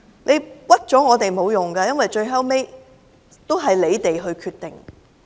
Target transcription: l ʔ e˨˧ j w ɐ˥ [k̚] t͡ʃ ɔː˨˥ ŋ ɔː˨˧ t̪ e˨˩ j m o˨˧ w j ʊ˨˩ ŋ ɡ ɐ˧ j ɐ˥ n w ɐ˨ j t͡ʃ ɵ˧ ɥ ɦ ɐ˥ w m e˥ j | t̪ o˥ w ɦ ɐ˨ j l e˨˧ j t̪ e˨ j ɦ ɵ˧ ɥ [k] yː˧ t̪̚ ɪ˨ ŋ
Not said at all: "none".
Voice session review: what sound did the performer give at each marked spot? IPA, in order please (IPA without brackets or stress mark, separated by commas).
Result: t̚, kʰ